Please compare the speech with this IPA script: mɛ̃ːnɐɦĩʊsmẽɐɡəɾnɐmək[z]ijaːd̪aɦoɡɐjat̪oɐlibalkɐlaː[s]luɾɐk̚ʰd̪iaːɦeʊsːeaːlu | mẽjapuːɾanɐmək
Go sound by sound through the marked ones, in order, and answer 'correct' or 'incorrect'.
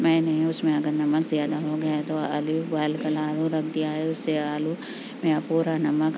correct, incorrect: none

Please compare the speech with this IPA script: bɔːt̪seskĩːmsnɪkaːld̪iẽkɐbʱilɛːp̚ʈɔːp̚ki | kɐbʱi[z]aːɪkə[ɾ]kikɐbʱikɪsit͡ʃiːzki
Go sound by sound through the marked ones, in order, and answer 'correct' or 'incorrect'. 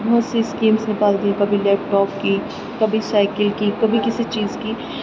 incorrect: s, incorrect: l

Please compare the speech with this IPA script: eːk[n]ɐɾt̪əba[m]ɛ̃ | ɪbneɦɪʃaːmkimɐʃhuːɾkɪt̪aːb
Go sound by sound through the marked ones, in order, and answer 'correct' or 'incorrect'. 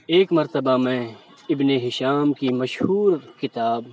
incorrect: m, correct

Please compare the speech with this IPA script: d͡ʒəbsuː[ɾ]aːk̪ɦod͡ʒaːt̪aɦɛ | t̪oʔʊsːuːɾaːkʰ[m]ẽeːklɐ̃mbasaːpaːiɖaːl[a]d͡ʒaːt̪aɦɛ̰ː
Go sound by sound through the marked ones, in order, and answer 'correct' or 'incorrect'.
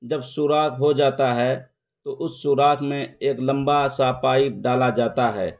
correct, correct, correct

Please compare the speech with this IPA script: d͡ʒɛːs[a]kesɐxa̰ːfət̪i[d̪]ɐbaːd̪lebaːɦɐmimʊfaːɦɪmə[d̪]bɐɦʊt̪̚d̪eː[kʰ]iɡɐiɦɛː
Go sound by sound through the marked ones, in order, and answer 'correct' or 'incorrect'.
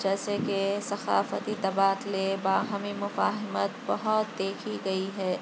incorrect: e, incorrect: t̪, incorrect: t̪, correct

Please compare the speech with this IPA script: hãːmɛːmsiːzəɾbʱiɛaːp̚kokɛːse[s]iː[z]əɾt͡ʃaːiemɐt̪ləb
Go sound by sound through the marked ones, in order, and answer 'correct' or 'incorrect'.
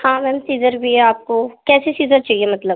correct, correct

